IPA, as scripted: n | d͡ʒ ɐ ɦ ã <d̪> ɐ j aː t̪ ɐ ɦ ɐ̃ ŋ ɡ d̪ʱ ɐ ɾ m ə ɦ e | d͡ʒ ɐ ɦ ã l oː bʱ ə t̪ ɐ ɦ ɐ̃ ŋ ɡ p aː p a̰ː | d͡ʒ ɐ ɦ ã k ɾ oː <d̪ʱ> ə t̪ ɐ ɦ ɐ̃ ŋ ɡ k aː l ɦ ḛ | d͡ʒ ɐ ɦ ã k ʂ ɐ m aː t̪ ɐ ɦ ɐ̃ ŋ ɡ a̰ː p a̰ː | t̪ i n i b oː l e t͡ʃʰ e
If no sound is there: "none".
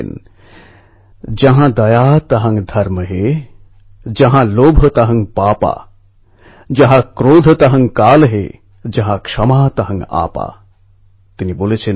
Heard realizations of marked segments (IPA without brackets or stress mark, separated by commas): d̪, d̪ʱ